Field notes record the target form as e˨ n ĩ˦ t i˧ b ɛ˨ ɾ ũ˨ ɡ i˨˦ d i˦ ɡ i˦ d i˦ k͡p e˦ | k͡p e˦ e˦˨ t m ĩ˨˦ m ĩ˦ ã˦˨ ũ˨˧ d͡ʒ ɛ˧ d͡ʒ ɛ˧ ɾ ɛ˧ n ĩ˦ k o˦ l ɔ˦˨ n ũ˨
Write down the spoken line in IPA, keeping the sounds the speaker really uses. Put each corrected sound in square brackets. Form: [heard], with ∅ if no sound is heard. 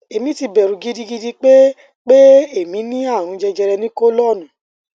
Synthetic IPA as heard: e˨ [m] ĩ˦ t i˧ b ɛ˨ ɾ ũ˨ ɡ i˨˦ d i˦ ɡ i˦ d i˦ k͡p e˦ | k͡p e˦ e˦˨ [∅] m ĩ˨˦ [n] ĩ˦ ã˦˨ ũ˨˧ d͡ʒ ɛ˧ d͡ʒ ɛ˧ ɾ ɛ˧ n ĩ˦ k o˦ l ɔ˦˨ n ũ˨